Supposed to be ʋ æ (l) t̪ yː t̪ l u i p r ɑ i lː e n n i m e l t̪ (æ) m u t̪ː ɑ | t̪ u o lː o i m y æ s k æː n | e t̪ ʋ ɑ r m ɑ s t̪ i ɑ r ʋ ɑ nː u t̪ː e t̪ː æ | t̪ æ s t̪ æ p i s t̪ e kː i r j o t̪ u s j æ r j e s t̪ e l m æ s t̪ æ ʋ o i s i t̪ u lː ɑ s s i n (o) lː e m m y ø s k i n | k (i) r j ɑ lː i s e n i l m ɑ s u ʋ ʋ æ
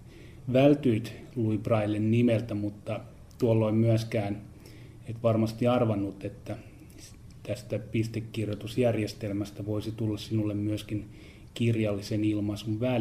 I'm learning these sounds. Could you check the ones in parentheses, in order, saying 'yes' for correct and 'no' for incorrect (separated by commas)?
yes, yes, no, yes